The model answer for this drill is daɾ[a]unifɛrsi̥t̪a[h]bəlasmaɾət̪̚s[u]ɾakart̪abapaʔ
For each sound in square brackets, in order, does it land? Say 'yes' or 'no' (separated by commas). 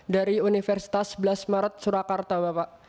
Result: no, no, yes